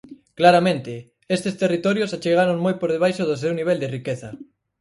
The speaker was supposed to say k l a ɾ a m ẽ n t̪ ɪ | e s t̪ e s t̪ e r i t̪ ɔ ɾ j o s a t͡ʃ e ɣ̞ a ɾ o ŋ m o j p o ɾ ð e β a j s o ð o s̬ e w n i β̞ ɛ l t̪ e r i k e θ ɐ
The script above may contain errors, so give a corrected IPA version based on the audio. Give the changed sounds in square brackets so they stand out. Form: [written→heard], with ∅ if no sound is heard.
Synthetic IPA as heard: k l a ɾ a m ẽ n t̪ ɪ | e s t̪ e s t̪ e r i t̪ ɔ ɾ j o s a t͡ʃ e ɣ̞ a ɾ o ŋ m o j p o ɾ ð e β a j [s→ʃ] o ð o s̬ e w n i β̞ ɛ l [t̪→d̪] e r i k e θ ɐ